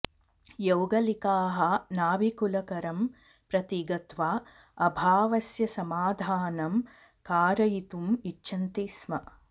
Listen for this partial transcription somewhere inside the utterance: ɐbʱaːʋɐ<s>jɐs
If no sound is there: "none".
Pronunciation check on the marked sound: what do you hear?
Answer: s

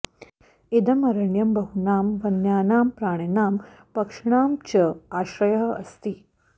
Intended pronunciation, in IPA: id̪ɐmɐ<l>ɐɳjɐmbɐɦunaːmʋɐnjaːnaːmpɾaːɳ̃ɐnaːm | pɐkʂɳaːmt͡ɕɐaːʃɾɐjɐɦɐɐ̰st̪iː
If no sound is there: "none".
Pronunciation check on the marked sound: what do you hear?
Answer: ɾ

